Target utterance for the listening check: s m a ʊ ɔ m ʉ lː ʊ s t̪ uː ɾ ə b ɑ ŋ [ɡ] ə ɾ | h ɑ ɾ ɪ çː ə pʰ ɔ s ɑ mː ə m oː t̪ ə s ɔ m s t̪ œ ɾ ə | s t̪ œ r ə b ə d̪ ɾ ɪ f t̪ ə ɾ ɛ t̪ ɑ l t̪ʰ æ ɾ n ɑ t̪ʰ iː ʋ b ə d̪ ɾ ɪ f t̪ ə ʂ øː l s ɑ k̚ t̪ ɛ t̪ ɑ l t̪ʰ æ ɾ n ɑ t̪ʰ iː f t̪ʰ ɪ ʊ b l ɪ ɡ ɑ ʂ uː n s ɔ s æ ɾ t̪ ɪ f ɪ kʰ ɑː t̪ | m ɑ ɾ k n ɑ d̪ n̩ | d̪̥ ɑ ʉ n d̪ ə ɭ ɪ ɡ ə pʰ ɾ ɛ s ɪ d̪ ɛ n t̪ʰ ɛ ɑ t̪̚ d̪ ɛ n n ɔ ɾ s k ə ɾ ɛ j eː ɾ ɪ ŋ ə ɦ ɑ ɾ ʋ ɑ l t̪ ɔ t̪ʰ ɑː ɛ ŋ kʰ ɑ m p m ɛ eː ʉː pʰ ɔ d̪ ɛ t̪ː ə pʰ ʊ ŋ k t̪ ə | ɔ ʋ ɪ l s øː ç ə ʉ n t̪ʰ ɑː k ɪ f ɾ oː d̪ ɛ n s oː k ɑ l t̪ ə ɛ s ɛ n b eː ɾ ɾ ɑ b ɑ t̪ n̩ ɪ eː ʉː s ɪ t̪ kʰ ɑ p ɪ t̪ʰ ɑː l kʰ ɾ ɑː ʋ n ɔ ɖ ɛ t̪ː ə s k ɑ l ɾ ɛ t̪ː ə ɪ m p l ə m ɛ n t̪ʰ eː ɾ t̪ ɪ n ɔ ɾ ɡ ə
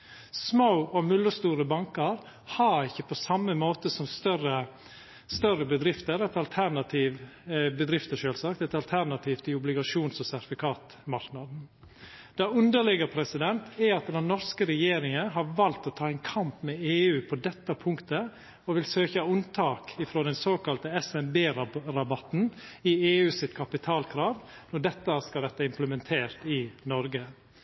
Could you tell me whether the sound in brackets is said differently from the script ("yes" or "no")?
yes